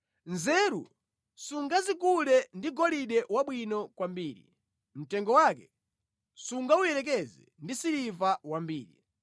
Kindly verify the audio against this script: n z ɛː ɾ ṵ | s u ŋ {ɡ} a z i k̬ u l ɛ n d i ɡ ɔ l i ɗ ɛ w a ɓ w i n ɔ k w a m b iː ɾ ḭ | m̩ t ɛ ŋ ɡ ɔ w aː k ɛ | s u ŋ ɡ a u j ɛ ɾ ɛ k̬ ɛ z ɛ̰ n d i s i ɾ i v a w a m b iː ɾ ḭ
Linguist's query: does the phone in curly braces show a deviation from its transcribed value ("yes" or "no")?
no